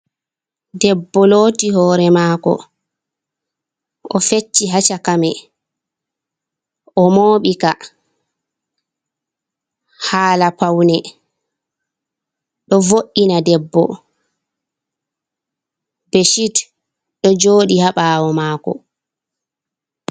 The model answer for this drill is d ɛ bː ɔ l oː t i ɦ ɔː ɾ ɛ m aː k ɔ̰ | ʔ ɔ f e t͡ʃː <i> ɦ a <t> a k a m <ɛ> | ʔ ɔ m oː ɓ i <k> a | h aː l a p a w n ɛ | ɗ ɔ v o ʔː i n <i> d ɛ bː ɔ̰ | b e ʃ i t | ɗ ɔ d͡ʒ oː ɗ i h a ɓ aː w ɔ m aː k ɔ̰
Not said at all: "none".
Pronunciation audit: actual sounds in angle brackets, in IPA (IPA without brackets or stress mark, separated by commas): i, t͡ʃ, ɛ, k, a